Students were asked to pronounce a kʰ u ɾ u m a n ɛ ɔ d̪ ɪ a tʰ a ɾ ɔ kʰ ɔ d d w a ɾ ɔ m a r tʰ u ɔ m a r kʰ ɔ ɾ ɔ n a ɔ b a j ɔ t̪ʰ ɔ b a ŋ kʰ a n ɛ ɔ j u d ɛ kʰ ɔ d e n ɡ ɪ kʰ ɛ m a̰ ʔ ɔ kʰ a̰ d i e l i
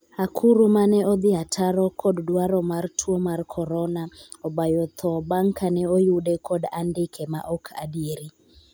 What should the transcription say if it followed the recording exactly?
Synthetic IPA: a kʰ u ɾ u m a n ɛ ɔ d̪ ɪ a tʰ a ɾ ɔ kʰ ɔ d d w a ɾ ɔ m a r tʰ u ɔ m a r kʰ ɔ ɾ ɔ n a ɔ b a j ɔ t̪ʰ ɔ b a ŋ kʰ a n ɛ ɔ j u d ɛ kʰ ɔ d a n d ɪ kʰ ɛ m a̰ ʔ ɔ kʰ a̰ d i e ɾ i